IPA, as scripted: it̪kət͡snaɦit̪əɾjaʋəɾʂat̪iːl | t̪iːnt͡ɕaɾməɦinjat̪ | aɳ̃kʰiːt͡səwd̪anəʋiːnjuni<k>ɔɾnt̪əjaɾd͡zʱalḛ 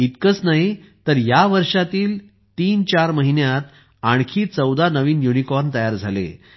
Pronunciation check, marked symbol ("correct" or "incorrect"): correct